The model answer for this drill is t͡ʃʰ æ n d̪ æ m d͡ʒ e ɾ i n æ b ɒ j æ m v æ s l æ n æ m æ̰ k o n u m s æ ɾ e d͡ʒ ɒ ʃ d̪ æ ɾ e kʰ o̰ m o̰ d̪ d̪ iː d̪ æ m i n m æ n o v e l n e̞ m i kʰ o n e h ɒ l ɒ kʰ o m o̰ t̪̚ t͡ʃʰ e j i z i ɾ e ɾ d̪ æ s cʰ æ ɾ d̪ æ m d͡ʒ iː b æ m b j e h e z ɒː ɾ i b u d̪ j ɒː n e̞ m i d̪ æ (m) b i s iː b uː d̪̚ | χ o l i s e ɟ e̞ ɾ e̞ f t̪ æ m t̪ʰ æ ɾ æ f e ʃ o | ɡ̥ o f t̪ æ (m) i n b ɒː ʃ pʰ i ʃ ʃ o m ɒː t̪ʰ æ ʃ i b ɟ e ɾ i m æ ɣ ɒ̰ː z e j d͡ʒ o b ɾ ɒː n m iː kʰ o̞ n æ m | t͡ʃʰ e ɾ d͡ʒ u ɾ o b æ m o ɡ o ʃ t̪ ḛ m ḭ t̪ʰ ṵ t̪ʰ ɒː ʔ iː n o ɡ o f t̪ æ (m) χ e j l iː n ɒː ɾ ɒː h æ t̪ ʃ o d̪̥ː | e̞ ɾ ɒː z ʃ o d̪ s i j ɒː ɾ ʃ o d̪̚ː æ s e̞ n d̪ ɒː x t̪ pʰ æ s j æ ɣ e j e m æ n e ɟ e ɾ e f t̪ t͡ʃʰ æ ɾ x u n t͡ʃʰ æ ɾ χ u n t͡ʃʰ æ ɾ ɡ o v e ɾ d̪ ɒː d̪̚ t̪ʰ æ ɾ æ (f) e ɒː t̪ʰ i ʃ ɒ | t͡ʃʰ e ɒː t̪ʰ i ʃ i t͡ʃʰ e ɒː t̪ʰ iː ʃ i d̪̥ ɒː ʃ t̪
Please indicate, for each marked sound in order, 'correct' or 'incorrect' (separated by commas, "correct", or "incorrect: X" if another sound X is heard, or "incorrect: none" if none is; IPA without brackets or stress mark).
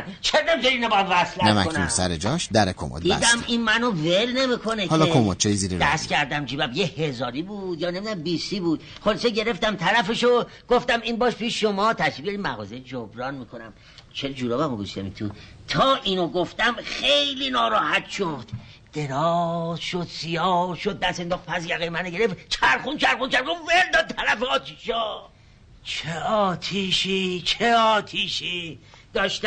correct, correct, correct, correct